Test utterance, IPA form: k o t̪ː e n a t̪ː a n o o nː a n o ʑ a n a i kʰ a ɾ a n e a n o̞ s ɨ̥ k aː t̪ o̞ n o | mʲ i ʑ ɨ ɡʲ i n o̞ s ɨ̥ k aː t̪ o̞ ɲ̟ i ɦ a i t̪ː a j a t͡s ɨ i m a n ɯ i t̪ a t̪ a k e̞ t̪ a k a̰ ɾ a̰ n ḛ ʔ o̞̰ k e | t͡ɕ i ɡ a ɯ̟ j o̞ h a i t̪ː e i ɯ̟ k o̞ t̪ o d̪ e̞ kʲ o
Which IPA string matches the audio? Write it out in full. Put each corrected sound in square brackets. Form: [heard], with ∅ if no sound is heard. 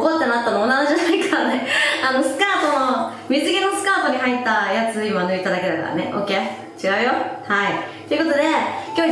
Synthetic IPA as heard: k o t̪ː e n a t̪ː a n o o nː a n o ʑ a n a i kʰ a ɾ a n e a n o̞ s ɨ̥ k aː t̪ o̞ n o | mʲ i [z] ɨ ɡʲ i n o̞ s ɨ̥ k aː t̪ o̞ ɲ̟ i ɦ a i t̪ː a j a t͡s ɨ i m a n ɯ i t̪ a [d̪] a k e̞ [d̪] a k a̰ ɾ a̰ n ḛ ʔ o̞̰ k e | t͡ɕ i ɡ a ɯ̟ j o̞ h a i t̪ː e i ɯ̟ k o̞ t̪ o d̪ e̞ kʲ o